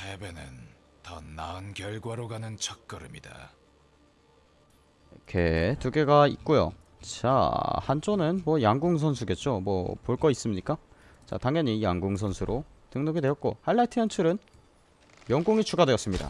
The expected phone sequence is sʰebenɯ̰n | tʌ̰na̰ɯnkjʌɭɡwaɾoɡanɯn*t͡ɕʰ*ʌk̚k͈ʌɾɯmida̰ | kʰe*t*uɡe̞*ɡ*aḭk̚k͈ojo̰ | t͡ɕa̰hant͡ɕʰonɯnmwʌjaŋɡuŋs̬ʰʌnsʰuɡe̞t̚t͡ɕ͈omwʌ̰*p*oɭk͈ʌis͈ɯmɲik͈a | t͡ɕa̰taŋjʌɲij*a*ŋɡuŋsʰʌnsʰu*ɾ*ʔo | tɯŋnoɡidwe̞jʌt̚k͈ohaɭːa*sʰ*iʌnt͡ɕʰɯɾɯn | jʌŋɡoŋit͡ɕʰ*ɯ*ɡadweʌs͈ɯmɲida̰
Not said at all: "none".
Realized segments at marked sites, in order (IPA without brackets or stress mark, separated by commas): t͡ɕʰ, t, ɡ, p, a, ɾ, tʰ, u